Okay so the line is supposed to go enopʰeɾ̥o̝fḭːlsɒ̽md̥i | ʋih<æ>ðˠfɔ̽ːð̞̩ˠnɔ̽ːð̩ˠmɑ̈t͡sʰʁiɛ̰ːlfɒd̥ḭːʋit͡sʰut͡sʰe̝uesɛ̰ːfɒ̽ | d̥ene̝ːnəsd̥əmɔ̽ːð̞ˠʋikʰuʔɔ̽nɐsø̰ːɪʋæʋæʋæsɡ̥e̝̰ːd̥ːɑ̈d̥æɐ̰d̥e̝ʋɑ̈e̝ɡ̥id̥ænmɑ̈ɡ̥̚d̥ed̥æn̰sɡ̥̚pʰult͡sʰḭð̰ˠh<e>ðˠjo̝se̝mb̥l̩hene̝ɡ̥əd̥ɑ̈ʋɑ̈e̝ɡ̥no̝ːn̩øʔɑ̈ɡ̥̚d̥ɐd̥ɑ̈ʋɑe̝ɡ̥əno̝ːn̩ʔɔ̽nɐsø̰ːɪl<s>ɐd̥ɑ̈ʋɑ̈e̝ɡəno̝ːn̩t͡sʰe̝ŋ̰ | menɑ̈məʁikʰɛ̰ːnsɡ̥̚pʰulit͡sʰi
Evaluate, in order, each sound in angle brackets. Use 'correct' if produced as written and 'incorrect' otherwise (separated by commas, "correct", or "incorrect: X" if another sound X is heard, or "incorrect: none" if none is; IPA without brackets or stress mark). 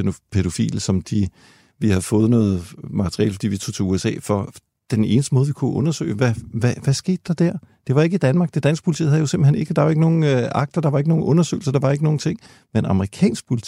correct, incorrect: æ, correct